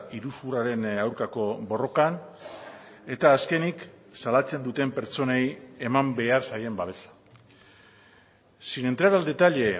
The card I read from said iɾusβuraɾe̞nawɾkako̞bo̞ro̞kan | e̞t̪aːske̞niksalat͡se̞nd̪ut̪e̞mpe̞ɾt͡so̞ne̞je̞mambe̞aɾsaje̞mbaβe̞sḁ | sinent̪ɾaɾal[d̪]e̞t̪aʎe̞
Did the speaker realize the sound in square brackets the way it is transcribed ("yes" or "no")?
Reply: yes